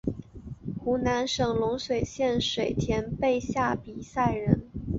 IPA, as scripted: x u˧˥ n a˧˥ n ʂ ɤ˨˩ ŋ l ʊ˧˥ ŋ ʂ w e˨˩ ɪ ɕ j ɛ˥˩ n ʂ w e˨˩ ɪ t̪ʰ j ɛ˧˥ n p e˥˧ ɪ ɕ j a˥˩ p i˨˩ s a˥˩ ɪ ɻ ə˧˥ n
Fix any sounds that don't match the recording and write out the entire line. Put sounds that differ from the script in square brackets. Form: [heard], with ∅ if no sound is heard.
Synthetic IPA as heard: x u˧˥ n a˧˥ n ʂ ɤ˨˩ ŋ l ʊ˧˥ ŋ ʂ w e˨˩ ɪ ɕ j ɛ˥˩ n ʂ w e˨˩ ɪ t̪ʰ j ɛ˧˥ n p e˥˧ ɪ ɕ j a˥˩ p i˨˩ s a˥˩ ɪ ɻ ə˧˥ n

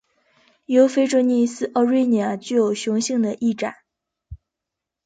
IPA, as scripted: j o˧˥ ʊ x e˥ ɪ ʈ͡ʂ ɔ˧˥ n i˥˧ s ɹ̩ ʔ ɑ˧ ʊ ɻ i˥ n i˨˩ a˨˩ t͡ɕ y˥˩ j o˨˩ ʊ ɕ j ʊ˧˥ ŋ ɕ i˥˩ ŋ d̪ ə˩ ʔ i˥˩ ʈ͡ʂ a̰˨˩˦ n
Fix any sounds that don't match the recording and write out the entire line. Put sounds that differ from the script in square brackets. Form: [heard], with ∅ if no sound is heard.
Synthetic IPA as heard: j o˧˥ ʊ [f] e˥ ɪ ʈ͡ʂ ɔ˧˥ n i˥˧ s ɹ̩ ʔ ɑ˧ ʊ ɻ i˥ n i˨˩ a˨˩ t͡ɕ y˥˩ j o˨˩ ʊ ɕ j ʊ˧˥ ŋ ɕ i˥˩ ŋ d̪ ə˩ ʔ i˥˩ ʈ͡ʂ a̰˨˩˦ n

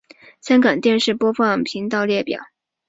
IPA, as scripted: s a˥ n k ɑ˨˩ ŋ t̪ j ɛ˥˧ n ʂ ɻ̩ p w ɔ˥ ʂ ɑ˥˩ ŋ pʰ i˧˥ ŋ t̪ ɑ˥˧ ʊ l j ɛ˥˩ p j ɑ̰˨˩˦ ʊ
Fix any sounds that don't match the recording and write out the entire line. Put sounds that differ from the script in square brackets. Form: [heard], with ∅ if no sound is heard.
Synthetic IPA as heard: s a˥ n k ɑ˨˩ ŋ t̪ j ɛ˥˧ n ʂ ɻ̩ p w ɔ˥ [f] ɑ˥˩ ŋ pʰ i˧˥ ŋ t̪ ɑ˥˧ ʊ l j ɛ˥˩ p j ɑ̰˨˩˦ ʊ

